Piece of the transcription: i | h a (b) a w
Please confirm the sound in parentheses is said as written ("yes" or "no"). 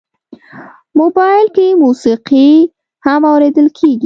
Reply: no